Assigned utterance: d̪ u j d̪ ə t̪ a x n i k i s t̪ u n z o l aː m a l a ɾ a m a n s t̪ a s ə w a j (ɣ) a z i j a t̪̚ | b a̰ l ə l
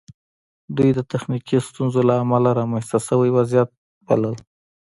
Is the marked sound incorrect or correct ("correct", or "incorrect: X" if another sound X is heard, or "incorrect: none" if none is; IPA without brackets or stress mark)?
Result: incorrect: w